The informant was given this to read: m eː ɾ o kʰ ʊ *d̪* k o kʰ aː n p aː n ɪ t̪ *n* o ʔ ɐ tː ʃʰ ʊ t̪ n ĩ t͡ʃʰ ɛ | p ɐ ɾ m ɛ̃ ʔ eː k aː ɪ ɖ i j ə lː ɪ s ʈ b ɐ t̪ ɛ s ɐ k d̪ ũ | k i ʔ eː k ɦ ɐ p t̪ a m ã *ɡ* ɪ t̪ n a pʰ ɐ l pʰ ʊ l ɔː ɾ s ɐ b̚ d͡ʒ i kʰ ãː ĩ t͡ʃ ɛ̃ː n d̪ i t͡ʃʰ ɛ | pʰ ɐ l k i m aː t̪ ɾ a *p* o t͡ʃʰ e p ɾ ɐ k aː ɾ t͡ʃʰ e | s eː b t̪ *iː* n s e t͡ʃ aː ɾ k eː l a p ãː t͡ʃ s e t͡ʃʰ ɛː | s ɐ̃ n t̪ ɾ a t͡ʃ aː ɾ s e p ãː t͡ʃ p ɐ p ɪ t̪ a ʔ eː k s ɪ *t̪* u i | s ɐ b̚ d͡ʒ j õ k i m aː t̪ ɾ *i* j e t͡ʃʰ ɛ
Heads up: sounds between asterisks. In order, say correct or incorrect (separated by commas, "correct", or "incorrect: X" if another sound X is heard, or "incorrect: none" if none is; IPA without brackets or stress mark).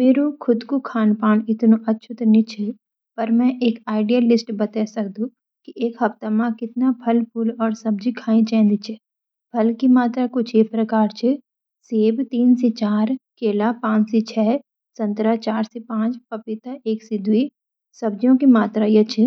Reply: correct, correct, incorrect: k, incorrect: k, correct, incorrect: d̪, incorrect: a